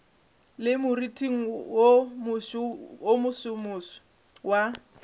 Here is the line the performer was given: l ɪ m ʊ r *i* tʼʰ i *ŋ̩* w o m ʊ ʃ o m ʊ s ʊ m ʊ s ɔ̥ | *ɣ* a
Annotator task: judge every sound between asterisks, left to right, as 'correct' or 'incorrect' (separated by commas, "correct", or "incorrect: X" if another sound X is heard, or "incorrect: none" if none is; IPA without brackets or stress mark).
correct, correct, incorrect: w